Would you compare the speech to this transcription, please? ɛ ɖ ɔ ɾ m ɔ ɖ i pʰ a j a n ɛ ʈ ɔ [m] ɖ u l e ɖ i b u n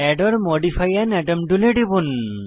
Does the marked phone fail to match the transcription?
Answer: no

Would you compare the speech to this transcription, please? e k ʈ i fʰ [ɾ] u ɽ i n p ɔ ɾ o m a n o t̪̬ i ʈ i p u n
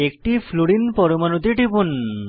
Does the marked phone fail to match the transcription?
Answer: yes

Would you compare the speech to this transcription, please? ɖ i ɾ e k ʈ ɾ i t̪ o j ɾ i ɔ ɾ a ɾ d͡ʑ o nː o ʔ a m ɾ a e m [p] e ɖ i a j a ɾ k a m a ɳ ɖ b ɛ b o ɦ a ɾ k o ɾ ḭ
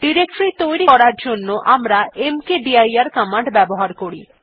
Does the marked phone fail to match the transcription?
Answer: yes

